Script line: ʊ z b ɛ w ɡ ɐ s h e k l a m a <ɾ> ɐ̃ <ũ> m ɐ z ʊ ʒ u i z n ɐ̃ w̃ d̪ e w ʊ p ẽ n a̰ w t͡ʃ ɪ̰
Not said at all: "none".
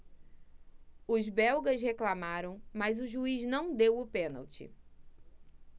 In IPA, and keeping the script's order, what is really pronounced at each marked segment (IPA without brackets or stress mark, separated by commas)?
ɾ, w̃